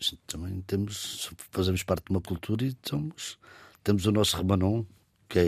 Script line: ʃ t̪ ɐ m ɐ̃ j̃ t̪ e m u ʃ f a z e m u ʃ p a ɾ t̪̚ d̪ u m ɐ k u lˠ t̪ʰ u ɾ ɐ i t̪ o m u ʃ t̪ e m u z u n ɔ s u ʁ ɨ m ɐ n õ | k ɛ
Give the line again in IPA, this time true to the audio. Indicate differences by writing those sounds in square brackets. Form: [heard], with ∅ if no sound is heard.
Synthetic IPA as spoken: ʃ t̪ ɐ m ɐ̃ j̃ t̪ e m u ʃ f [ɐ] z e m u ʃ p a ɾ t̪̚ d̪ u m ɐ k u lˠ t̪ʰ u ɾ ɐ i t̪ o m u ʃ t̪ e m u z u n ɔ s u ʁ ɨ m ɐ n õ | k ɛ